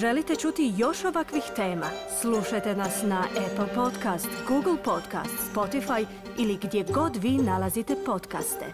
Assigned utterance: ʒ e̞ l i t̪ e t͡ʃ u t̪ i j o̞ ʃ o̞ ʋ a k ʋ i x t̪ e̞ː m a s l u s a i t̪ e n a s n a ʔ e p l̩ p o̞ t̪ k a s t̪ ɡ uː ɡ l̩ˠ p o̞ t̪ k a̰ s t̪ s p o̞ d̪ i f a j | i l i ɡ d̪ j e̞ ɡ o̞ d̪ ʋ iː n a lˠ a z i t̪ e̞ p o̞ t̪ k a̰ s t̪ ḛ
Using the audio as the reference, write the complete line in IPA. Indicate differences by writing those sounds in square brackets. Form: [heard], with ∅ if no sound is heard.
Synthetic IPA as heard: ʒ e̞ l i t̪ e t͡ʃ u t̪ i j o̞ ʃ o̞ ʋ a k ʋ i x t̪ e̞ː m a s l u [ʃ] a [j] t̪ e n a s n a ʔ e p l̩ p o̞ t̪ k a s t̪ ɡ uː ɡ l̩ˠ p o̞ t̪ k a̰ s t̪ s p o̞ [t̪] i f a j | i l i ɡ d̪ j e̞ ɡ o̞ d̪ ʋ iː n a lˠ a z i t̪ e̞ p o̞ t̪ k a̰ s t̪ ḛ